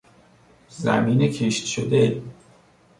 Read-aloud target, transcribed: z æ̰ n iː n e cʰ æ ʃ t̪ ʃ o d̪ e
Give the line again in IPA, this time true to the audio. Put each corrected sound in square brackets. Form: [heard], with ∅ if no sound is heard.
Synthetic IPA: z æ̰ [m] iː n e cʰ [e] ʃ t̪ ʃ o d̪ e